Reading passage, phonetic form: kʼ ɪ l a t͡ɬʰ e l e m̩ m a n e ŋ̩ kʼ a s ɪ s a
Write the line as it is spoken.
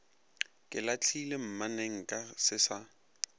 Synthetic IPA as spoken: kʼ ɪ l a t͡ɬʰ i l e m̩ m a n e ŋ̩ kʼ a s ɪ s a

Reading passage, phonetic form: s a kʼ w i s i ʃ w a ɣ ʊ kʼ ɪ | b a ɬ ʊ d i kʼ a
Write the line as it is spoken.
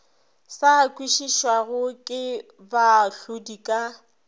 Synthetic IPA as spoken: s a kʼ w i ʃ i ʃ w a ɣ ʊ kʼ ɪ | b a ɬ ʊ d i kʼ a

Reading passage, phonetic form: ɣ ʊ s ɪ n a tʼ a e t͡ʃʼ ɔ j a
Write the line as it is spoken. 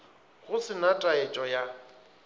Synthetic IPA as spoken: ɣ ʊ s ɪ n a tʼ a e t͡ʃʼ ɔ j a

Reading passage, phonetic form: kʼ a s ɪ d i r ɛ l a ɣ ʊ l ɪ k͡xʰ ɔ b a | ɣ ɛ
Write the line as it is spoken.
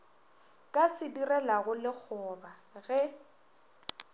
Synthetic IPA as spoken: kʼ a s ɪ d i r ɛ l a ɣ ʊ l ɪ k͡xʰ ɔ b a | ɣ ɛ

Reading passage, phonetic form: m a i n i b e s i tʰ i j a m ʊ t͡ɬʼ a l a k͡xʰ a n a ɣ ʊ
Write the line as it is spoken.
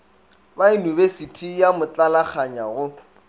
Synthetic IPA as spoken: b a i n i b e s i tʰ i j a m ʊ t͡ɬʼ a l a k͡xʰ a ɲ a ɣ ʊ

